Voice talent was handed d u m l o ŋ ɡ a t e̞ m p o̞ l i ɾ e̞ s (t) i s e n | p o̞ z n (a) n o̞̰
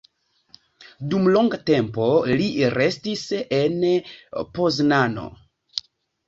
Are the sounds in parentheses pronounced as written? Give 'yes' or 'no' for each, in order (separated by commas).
yes, yes